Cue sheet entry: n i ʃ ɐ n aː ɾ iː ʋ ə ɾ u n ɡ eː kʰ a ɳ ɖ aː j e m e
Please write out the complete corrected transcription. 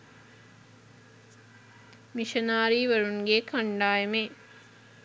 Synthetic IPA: m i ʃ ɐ n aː ɾ iː ʋ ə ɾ u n ɡ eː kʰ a ɳ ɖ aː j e m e